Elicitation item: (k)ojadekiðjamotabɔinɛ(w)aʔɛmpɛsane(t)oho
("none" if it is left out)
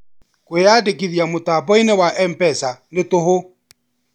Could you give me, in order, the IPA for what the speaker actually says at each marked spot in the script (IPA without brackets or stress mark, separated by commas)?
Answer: k, w, t